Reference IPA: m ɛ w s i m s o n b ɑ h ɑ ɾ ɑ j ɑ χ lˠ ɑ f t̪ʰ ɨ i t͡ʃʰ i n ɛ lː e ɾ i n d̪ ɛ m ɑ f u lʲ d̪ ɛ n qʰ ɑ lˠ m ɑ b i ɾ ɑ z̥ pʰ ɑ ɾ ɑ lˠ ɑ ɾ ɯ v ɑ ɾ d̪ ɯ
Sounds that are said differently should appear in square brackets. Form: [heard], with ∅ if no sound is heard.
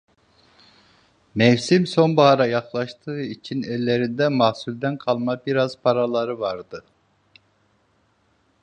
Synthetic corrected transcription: m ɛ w s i m s o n b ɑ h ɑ ɾ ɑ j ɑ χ lˠ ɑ [ʃ] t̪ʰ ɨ i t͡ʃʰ i n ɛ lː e ɾ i n d̪ ɛ m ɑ [s] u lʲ d̪ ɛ n qʰ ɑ lˠ m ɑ b i ɾ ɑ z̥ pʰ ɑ ɾ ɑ lˠ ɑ ɾ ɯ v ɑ ɾ d̪ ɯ